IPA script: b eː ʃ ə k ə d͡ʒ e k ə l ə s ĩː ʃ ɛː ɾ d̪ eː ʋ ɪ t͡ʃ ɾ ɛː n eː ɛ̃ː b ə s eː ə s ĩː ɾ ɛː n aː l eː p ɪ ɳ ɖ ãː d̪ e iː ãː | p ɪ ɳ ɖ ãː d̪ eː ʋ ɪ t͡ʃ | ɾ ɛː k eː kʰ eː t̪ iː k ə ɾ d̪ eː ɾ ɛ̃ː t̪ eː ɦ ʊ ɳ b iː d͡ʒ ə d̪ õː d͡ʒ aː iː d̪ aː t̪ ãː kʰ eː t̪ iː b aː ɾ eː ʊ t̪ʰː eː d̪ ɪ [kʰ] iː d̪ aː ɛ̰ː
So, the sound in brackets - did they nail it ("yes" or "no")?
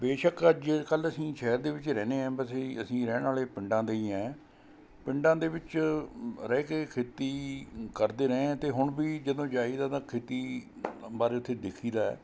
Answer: yes